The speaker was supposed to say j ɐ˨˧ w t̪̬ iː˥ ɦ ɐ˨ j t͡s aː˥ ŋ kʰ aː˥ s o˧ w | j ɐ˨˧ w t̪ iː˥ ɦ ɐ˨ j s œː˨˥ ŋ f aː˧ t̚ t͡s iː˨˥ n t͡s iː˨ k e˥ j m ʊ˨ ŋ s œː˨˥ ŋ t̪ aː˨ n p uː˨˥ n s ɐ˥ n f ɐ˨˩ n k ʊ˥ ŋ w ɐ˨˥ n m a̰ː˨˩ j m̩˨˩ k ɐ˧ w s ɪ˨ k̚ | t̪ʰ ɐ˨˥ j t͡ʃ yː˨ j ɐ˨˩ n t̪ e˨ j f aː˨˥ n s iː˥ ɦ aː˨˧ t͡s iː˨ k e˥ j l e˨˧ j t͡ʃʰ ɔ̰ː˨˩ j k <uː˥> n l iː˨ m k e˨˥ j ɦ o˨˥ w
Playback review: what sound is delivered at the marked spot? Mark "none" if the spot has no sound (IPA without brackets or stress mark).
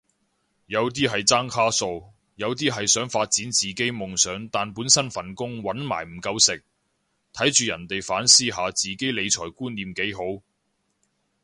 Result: uː˥